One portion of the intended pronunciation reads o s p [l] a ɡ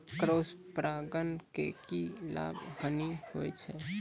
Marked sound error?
yes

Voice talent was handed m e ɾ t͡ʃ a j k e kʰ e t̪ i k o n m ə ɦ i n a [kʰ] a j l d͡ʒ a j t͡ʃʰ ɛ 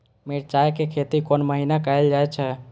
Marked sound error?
yes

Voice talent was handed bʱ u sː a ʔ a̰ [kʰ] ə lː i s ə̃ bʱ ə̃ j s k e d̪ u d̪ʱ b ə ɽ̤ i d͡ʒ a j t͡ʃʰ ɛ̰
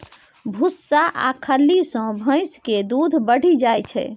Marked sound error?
no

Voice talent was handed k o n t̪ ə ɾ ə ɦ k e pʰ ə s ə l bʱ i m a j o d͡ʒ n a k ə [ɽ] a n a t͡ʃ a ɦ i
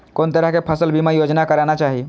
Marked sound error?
yes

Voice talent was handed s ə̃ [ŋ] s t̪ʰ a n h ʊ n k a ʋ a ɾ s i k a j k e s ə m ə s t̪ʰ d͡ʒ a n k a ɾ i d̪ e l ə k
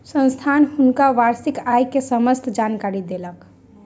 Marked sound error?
yes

